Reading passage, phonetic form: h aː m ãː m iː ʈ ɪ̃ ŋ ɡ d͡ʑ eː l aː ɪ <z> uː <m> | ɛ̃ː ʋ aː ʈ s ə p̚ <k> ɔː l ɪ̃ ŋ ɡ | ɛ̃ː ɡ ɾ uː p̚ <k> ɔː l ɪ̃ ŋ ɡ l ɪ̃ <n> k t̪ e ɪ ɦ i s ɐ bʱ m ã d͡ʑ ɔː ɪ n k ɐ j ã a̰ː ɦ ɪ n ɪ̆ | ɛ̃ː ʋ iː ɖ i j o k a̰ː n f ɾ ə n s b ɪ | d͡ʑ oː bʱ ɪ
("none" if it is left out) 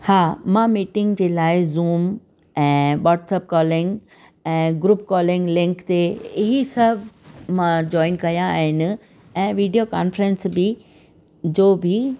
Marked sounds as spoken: z, m, k, k, ŋ

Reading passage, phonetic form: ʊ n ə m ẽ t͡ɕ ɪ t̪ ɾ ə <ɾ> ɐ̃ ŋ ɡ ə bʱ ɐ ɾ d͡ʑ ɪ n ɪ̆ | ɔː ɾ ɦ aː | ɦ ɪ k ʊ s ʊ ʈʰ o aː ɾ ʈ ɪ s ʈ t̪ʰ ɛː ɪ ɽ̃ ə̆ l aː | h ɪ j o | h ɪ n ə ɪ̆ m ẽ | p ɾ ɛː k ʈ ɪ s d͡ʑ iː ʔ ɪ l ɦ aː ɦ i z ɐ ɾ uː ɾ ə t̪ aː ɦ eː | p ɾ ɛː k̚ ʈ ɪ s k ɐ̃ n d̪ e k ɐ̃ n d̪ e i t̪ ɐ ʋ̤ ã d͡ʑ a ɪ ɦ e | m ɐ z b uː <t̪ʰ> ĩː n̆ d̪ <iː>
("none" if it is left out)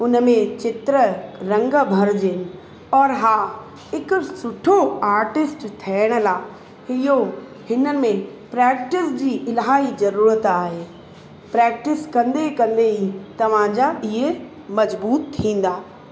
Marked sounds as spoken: ɾ, t̪ʰ, aː

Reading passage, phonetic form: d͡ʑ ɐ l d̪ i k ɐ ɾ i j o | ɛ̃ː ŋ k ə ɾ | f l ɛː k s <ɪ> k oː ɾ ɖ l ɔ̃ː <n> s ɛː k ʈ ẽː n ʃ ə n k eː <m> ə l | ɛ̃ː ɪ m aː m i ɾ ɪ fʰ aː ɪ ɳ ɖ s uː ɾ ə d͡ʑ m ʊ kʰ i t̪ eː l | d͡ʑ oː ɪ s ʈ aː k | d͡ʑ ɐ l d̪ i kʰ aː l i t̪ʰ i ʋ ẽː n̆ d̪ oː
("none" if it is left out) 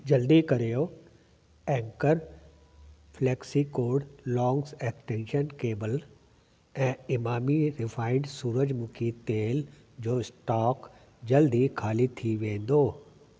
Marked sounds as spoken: i, ŋ, b

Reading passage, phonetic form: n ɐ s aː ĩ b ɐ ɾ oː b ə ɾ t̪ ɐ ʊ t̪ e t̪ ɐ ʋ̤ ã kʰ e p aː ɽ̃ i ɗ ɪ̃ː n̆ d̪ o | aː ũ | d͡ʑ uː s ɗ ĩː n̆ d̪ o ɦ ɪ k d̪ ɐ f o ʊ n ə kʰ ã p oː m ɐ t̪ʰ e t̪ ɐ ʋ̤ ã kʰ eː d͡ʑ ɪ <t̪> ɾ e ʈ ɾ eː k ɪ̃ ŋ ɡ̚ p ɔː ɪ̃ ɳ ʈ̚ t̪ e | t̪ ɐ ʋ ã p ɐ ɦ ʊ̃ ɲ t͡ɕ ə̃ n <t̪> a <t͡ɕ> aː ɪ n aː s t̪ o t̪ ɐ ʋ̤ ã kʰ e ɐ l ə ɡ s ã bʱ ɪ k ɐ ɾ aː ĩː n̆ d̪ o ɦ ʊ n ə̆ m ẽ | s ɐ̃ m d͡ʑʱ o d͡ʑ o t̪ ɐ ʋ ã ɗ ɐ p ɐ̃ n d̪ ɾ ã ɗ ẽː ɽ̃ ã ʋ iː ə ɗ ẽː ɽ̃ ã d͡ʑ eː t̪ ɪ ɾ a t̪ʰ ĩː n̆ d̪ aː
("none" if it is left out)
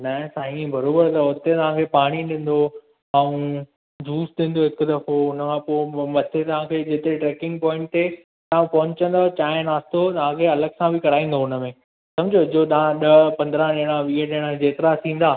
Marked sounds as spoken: t̪, d̪, t͡ɕ

